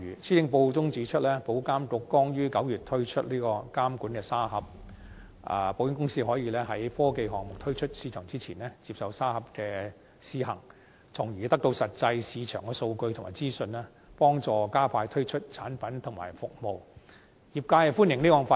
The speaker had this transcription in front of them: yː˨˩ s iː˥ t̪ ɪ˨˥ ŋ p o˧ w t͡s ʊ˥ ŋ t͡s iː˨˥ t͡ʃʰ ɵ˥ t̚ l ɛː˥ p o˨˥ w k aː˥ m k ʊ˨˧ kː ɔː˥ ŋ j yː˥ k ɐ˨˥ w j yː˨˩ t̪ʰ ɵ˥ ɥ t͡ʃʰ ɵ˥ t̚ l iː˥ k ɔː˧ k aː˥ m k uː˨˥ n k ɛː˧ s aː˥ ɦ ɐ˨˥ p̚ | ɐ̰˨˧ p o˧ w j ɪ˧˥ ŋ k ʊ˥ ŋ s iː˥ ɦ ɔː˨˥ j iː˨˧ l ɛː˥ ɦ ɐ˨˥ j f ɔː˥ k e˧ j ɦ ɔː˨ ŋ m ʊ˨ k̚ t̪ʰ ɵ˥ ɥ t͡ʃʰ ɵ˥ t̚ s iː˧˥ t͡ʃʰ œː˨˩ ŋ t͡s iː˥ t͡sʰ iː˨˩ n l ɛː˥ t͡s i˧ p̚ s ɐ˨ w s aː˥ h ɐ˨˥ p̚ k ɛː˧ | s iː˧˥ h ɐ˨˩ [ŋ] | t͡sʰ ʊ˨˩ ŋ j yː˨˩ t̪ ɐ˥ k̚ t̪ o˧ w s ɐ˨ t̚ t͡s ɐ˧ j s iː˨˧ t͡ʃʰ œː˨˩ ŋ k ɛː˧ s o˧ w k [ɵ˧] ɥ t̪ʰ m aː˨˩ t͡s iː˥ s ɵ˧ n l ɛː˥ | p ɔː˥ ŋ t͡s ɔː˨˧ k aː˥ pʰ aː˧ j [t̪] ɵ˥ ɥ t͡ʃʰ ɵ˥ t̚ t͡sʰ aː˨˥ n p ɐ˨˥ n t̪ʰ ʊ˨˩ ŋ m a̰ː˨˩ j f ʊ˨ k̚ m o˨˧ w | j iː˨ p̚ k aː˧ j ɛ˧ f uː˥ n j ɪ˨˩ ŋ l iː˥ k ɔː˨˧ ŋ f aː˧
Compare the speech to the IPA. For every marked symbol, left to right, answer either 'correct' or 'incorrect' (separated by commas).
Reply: correct, correct, incorrect